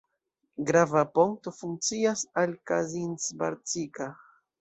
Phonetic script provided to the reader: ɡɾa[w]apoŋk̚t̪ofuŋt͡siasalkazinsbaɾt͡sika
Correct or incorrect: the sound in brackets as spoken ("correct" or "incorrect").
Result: incorrect